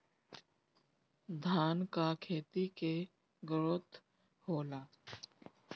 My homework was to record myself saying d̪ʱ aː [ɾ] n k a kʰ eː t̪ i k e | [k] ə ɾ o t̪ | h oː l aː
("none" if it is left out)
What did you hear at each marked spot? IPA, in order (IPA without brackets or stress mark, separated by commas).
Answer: none, ɡ